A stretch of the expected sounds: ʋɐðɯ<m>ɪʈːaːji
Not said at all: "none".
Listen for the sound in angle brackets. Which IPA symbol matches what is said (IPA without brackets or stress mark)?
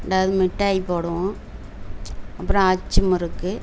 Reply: m